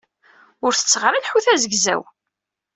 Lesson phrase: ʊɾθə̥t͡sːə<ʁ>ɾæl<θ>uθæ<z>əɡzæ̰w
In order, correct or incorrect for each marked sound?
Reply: correct, incorrect: ħ, correct

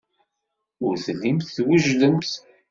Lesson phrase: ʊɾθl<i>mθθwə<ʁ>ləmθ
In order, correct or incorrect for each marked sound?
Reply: correct, incorrect: ʒ

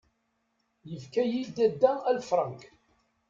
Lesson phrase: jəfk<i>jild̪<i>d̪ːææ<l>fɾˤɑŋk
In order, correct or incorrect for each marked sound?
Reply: incorrect: æ, incorrect: æ, correct

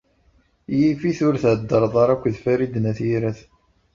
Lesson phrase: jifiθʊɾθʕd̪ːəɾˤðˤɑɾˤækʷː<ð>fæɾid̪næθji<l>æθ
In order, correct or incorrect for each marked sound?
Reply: correct, incorrect: ɾ

